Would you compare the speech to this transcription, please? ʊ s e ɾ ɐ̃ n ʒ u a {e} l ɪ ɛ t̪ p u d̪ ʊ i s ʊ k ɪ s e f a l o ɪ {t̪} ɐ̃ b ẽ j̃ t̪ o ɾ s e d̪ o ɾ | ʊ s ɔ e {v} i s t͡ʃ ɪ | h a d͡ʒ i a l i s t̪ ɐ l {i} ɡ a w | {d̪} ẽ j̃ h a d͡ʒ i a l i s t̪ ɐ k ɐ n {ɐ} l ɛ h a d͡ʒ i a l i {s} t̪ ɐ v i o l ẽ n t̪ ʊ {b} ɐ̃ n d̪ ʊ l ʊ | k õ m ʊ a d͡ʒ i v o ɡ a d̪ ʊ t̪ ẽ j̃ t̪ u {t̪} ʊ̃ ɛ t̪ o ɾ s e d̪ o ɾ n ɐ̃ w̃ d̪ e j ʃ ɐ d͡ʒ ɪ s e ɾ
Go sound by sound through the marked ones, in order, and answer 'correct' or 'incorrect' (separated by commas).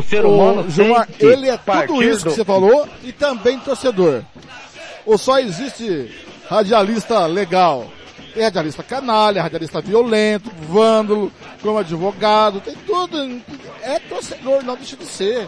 correct, correct, incorrect, incorrect, incorrect, incorrect, correct, incorrect, incorrect